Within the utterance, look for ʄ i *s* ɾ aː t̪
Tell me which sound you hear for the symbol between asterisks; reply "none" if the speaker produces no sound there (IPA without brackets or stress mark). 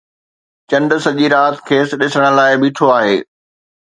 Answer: none